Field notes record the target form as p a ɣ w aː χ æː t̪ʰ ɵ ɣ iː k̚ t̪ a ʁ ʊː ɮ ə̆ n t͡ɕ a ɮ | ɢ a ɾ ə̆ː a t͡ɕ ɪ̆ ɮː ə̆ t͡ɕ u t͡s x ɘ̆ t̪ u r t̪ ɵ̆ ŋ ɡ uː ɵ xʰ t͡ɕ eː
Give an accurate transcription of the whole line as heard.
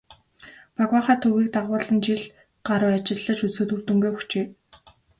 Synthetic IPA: p a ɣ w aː χ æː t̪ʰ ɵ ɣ iː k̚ t̪ a ʁ ʊː ɮ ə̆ n t͡ɕ i ɮ | ɢ a ɾ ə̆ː a t͡ɕ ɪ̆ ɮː ə̆ t͡ɕ u t͡s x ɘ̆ t̪ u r t̪ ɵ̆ ŋ ɡ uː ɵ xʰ t͡ɕ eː